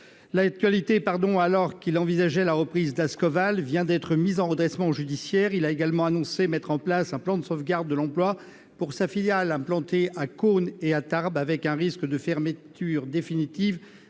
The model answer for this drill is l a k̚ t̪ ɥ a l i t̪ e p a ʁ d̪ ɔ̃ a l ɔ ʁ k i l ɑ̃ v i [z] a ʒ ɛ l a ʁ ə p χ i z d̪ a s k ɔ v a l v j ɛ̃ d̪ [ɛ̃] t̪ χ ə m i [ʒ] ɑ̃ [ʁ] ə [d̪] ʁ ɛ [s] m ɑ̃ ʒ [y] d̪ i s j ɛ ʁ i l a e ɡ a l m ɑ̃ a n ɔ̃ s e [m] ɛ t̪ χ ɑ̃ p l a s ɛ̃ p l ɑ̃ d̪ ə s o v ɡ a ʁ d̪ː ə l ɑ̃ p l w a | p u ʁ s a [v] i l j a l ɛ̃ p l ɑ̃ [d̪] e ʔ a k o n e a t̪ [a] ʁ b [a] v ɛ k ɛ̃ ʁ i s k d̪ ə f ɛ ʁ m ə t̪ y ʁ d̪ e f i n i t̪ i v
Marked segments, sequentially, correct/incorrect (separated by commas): correct, incorrect, incorrect, correct, correct, correct, correct, correct, incorrect, incorrect, correct, correct